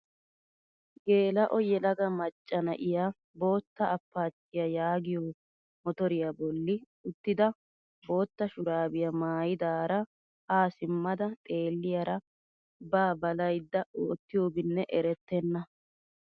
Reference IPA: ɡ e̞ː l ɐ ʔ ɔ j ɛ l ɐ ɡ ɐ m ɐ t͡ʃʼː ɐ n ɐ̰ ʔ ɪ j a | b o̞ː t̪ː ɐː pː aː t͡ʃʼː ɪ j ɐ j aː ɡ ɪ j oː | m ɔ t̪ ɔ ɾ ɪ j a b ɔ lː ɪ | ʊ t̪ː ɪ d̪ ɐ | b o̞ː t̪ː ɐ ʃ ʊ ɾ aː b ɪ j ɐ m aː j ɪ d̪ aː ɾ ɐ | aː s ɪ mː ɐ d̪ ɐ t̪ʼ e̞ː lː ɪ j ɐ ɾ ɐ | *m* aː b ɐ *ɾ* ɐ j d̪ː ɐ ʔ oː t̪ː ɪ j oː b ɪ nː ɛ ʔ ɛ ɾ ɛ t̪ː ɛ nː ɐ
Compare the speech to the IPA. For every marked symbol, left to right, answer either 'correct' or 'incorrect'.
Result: incorrect: b, incorrect: l

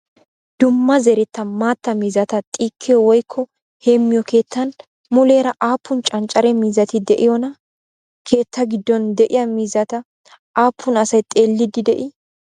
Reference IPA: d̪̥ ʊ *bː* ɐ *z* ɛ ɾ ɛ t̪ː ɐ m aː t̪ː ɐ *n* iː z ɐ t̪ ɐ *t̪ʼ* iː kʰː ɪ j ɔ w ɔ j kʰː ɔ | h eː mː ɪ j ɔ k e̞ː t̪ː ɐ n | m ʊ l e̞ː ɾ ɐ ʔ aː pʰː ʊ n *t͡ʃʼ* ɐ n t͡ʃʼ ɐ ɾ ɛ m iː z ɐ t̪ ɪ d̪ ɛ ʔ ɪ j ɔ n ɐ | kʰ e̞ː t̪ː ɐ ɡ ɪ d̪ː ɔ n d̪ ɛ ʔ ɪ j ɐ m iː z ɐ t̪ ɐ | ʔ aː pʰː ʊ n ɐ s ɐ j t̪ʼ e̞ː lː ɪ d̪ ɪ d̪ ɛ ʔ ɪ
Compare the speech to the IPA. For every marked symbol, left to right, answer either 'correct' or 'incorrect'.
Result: incorrect: mː, correct, incorrect: m, correct, correct

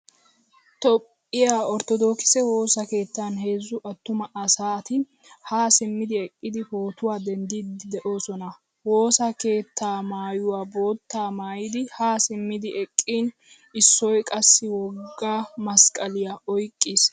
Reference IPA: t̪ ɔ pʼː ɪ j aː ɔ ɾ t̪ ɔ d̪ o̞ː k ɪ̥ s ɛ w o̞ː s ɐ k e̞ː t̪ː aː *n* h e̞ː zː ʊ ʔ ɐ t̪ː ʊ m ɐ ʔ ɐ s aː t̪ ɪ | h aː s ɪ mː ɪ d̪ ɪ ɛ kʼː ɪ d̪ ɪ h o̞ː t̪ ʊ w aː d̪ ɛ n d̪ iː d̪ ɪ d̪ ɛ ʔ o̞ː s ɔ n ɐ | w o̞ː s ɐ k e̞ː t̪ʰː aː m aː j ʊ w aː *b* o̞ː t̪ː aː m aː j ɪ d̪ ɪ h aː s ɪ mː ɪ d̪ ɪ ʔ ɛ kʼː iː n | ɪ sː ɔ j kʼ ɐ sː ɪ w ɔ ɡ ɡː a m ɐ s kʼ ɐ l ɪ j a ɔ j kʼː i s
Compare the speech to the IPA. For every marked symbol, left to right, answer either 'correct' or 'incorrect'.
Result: correct, correct

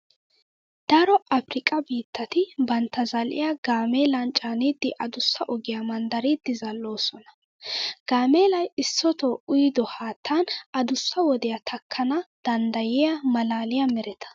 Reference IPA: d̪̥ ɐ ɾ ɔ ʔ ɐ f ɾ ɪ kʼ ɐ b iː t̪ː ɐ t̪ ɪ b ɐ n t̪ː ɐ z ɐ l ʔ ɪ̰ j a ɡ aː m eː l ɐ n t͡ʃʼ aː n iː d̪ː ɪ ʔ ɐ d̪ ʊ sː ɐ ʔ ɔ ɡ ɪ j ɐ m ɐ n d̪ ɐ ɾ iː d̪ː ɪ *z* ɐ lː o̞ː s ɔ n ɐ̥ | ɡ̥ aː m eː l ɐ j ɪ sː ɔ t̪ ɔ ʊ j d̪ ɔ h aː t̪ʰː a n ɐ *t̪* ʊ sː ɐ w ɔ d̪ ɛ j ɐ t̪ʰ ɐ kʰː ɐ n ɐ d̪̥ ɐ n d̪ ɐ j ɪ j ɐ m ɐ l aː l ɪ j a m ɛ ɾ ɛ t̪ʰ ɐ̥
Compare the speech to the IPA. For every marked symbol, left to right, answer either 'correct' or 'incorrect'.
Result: correct, incorrect: d̪

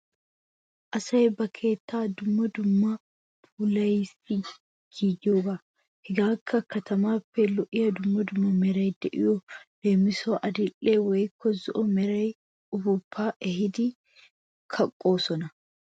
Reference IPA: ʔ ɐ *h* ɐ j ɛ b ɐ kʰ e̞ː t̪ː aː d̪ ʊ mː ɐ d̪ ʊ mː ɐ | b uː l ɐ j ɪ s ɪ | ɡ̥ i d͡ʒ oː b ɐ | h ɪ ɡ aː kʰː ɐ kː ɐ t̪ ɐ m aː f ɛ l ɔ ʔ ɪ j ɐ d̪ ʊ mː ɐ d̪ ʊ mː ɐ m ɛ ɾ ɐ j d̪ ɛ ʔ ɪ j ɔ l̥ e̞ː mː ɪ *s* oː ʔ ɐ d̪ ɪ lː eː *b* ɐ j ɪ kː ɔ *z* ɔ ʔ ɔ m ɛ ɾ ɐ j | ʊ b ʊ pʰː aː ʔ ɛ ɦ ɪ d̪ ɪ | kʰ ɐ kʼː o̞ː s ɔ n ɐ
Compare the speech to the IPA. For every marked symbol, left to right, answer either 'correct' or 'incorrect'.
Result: incorrect: s, correct, incorrect: w, correct

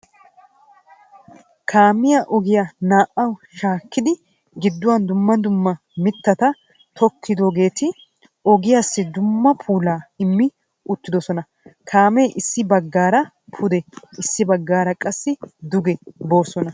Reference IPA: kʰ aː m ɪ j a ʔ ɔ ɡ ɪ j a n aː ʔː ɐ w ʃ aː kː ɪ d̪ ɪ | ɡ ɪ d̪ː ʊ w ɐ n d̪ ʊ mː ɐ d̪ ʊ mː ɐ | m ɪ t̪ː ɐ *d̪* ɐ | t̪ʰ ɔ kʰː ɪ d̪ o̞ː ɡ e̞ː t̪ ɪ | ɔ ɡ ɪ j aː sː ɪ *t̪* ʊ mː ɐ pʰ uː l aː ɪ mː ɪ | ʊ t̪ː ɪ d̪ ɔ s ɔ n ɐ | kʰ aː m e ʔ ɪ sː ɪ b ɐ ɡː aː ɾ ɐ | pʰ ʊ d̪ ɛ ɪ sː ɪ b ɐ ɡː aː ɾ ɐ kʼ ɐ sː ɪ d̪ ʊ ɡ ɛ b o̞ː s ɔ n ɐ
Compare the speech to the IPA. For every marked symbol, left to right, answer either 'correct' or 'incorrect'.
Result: incorrect: t̪, incorrect: d̪

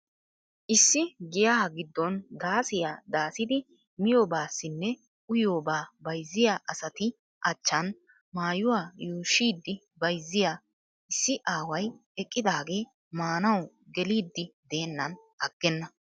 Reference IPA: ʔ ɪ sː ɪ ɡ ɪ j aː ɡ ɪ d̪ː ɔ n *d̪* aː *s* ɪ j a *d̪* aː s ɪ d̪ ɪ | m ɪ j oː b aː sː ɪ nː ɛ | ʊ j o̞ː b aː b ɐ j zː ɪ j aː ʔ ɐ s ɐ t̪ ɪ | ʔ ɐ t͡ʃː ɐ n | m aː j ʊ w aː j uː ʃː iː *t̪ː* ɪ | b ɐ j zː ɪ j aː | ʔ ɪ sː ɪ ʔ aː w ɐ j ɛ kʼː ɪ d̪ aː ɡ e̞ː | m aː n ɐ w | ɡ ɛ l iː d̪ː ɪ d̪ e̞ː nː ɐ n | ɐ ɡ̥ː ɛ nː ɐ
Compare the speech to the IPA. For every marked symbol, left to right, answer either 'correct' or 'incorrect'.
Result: correct, correct, correct, incorrect: d̪ː

